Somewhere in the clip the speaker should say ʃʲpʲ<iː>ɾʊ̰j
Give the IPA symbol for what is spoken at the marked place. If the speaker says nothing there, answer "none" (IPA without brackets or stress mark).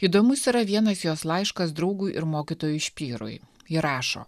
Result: iː